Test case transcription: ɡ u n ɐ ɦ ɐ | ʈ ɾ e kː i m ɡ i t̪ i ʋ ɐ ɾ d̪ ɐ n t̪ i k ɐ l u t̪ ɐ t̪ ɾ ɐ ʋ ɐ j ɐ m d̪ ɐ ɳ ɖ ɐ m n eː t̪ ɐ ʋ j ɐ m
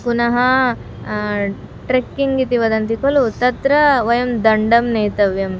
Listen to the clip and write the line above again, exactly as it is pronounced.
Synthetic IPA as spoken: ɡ u n ɐ ɦ ɐ | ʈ ɾ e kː i ŋ ɡ i t̪ i ʋ ɐ d̪ ɐ n t̪ i k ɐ l u t̪ ɐ t̪ ɾ ɐ ʋ ɐ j ɐ m d̪ ɐ ɳ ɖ ɐ m n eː t̪ ɐ ʋ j ɐ m